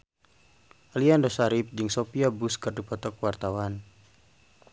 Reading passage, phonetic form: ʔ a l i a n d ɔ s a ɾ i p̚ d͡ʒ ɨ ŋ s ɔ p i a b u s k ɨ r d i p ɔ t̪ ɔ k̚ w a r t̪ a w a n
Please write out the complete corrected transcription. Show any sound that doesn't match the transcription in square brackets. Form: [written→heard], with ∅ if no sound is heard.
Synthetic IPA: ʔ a l i a n d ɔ s a ɾ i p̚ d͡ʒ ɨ ŋ s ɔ p i a b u s k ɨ r d i p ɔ t̪ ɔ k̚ w a r t̪ a w a n